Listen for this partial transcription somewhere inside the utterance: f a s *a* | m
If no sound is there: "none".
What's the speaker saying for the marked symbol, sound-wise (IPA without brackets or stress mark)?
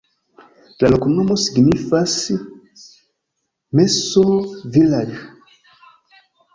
i